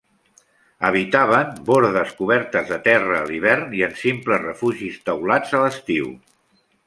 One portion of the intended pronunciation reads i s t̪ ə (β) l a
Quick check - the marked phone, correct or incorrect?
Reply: incorrect